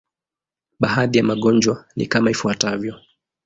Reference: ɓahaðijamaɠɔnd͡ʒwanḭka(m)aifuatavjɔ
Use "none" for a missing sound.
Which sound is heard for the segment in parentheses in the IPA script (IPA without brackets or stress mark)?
m